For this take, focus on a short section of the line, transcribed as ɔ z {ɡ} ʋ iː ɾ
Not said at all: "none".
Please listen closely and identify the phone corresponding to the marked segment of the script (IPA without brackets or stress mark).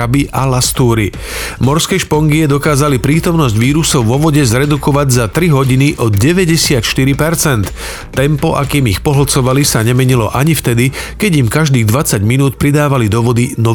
ɟ